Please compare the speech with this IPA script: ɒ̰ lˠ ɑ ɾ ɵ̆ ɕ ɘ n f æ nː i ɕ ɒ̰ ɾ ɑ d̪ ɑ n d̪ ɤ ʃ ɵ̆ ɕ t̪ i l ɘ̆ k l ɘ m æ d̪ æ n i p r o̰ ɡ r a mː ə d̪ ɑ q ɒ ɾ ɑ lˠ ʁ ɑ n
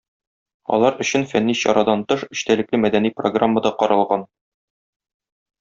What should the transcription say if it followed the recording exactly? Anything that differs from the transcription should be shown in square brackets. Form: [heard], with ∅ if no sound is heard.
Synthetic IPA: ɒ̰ lˠ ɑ ɾ ɵ̆ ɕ ɘ n f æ nː i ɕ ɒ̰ ɾ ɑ d̪ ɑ n [t̪] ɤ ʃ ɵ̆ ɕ t̪ [æ] l ɘ̆ k l ɘ m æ d̪ æ n i p r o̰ ɡ r a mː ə d̪ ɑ q ɒ ɾ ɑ lˠ ʁ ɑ n